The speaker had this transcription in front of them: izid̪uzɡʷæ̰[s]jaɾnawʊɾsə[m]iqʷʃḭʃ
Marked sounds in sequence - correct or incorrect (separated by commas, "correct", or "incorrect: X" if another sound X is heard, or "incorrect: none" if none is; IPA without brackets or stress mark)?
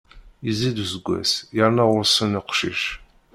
correct, incorrect: n